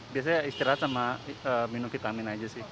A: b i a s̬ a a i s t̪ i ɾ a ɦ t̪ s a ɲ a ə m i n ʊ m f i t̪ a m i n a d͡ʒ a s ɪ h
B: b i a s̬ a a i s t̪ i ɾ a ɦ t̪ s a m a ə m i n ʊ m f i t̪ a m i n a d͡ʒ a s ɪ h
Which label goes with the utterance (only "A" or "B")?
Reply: B